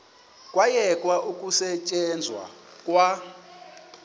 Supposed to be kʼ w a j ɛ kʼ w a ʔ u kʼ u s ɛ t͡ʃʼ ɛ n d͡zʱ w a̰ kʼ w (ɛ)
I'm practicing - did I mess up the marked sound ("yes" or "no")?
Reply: yes